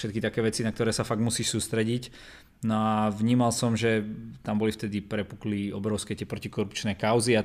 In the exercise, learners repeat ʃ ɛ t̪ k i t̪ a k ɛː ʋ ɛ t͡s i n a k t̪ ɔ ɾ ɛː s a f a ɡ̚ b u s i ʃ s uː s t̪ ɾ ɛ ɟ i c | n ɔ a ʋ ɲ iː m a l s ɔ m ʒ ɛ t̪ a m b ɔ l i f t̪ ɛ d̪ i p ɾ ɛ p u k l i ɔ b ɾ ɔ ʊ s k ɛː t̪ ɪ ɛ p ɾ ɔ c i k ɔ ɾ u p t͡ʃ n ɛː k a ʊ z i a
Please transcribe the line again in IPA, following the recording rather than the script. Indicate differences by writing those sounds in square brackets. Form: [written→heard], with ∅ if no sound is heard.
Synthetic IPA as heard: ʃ ɛ t̪ k i t̪ a k ɛː ʋ ɛ t͡s i n a k t̪ ɔ ɾ ɛː s a f a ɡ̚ [b→m] u s [i→iː] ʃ s uː s t̪ ɾ ɛ ɟ i c | n ɔ a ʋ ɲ iː m a l s ɔ m ʒ ɛ t̪ a m b ɔ l i f t̪ ɛ d̪ i p ɾ ɛ p u k l i ɔ b ɾ ɔ ʊ s k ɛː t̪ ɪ ɛ p ɾ ɔ c i k ɔ ɾ u p t͡ʃ n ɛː k a ʊ z i a